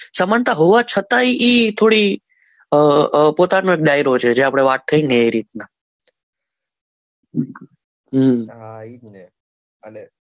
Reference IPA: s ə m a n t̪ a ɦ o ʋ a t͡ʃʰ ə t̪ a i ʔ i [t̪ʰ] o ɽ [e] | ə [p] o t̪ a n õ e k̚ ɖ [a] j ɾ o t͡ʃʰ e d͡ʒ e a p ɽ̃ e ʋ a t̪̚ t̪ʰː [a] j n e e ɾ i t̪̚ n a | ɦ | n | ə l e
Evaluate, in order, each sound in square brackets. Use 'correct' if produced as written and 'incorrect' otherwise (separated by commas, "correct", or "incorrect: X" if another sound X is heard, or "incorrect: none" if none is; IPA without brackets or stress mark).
correct, incorrect: i, correct, correct, incorrect: ə